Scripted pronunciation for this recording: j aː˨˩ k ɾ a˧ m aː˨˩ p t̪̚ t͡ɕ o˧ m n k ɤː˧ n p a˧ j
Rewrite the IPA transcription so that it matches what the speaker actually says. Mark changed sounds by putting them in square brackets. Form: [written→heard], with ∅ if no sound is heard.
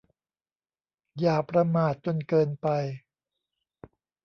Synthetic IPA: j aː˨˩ [k→p] ɾ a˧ m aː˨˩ [p→∅] t̪̚ t͡ɕ o˧ [m→∅] n k ɤː˧ n p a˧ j

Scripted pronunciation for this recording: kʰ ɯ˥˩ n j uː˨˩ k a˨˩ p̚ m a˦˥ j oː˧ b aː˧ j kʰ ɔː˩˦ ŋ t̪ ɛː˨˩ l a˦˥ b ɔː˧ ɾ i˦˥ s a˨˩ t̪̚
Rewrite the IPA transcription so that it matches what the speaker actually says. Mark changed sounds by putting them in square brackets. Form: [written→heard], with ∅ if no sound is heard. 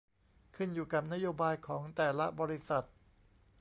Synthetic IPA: kʰ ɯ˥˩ n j uː˨˩ k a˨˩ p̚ [m→n] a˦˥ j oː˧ b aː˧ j kʰ ɔː˩˦ ŋ t̪ ɛː˨˩ l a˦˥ b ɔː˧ ɾ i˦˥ s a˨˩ t̪̚

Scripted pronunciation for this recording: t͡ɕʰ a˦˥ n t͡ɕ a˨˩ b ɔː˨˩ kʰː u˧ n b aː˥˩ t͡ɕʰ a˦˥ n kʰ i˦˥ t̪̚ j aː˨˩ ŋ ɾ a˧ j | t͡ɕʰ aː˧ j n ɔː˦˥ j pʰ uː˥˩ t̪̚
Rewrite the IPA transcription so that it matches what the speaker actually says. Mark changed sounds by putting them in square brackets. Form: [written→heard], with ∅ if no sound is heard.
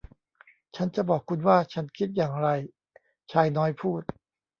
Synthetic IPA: t͡ɕʰ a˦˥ n t͡ɕ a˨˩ b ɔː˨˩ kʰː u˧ n [b→w] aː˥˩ t͡ɕʰ a˦˥ n kʰ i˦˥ t̪̚ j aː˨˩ ŋ ɾ a˧ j | t͡ɕʰ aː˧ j n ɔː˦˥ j pʰ uː˥˩ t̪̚

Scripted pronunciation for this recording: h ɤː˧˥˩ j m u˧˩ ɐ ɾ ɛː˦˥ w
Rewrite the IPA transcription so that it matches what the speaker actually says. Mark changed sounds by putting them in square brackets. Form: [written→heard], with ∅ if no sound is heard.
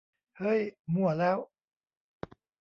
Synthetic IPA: h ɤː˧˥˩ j m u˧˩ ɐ [ɾ→l] ɛː˦˥ w

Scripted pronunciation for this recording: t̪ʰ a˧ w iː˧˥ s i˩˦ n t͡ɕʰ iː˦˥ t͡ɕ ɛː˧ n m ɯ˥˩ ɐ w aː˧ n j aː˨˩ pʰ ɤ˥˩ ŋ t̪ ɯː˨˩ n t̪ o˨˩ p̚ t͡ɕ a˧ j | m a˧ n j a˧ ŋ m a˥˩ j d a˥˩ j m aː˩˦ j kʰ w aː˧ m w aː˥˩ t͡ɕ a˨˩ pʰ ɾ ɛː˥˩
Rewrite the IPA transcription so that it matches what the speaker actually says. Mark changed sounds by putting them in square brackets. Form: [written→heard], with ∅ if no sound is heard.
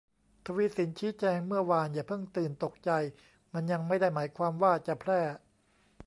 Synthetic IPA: t̪ʰ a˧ w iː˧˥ s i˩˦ n t͡ɕʰ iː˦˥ t͡ɕ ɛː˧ [n→ŋ] m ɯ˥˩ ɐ w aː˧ n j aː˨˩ pʰ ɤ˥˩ ŋ t̪ ɯː˨˩ n t̪ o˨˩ [p̚→k̚] t͡ɕ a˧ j | m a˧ n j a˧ ŋ m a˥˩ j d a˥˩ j m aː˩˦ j kʰ w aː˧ m w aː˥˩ t͡ɕ a˨˩ pʰ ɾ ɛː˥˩

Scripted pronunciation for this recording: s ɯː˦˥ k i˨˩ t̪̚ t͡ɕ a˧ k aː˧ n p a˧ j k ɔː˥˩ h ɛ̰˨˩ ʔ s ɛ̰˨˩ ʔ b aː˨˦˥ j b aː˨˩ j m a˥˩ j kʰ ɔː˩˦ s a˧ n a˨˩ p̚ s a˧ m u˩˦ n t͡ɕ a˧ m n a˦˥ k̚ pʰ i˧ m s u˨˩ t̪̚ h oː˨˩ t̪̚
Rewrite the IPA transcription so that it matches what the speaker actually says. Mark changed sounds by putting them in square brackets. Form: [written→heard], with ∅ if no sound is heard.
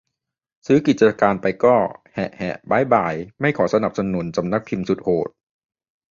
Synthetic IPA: s ɯː˦˥ k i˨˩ t̪̚ t͡ɕ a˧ k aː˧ n p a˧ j k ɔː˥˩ h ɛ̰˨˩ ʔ [s→h] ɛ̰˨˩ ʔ b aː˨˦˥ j b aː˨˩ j m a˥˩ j kʰ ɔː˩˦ s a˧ n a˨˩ p̚ s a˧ [m→n] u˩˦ n t͡ɕ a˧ m n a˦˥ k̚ pʰ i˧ m s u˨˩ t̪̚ h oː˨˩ t̪̚

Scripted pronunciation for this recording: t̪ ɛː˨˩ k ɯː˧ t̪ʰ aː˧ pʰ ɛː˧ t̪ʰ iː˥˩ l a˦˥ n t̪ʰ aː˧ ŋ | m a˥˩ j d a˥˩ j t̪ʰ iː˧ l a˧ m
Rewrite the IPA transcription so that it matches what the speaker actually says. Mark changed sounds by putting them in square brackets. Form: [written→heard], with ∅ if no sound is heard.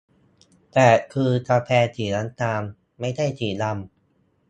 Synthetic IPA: t̪ ɛː˨˩ [k→kʰ] ɯː˧ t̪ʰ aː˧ pʰ ɛː˧ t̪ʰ [iː˥˩→iː˨˩] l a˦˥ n [t̪ʰ→t̪] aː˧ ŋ | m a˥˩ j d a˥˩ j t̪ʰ [iː˧→iː˨˩] l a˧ m

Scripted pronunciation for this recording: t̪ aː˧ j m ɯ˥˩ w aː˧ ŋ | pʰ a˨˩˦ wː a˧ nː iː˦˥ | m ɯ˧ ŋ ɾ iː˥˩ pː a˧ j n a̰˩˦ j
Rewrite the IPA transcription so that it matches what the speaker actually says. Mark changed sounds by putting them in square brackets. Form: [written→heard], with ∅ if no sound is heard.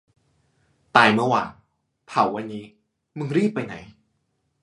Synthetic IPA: t̪ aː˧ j m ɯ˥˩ w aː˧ ŋ | pʰ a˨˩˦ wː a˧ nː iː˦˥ | m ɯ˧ ŋ ɾ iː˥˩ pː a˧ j n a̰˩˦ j

